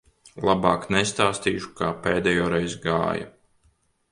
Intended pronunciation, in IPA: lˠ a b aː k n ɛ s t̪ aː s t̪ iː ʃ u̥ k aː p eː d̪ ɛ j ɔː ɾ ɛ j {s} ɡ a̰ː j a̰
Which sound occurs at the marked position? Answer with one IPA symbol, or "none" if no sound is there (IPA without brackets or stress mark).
z